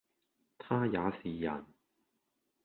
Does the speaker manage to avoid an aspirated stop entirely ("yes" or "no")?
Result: no